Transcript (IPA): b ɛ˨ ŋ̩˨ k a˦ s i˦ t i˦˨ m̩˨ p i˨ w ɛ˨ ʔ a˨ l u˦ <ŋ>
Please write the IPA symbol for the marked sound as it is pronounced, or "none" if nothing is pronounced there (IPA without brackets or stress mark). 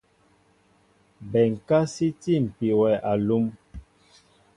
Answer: m